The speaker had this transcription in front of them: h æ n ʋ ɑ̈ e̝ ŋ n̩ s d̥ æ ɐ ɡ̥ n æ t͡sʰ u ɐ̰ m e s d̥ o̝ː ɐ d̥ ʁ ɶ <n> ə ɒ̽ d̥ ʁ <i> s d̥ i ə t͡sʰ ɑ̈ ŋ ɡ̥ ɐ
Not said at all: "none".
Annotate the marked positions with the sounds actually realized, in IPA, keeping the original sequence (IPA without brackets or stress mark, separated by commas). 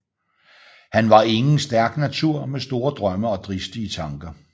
m, i